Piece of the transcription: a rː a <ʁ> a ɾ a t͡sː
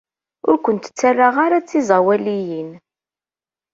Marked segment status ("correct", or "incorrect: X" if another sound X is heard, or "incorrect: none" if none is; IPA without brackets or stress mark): correct